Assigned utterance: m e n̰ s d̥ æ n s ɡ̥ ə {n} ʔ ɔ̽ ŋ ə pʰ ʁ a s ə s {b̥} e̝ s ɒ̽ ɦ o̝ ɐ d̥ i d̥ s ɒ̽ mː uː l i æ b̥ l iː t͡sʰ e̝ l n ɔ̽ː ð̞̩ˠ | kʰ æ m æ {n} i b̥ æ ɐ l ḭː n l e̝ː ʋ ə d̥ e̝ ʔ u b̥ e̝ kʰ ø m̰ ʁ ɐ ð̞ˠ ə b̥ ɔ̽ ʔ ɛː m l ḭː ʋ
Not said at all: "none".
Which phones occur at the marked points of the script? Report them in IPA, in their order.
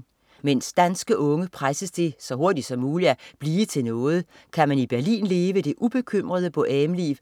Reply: none, d̥, n

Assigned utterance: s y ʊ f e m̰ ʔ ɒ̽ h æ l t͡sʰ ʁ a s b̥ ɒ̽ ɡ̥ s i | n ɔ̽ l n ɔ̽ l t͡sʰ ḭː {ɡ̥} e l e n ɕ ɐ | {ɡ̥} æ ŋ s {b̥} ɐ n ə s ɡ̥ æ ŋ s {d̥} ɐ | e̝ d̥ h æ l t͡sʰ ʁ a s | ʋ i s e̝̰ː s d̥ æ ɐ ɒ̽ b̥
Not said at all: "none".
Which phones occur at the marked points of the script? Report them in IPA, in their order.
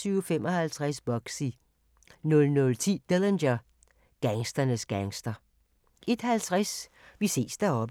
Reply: d̥, ɡ̥, d̥, d̥

